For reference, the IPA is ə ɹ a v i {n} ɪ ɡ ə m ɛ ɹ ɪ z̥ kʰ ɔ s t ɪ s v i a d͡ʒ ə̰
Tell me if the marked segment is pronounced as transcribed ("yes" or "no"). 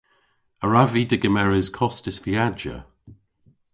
no